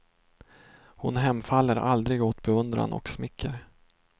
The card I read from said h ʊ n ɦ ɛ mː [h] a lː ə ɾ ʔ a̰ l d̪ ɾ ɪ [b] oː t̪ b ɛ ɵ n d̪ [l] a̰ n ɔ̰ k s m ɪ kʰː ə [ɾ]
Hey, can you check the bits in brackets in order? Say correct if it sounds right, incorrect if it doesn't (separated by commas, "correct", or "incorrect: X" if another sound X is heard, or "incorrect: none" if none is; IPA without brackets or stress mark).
incorrect: f, incorrect: ɡ, incorrect: ɾ, correct